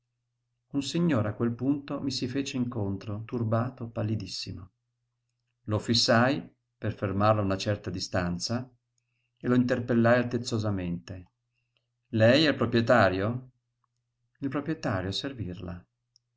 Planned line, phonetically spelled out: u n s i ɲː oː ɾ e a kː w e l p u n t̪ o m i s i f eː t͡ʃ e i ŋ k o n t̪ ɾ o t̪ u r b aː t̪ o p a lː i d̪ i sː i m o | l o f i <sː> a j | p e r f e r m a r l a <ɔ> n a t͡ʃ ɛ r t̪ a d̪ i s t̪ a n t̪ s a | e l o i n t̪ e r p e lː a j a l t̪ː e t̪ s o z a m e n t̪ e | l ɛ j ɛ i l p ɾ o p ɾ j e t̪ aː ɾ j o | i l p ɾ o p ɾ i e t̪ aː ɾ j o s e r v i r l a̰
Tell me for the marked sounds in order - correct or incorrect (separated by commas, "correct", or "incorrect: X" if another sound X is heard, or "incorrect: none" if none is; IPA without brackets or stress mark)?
correct, incorrect: u